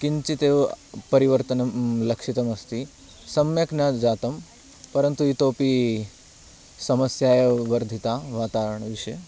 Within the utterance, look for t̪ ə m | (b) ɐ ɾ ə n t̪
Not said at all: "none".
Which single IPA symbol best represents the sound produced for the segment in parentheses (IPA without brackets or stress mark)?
p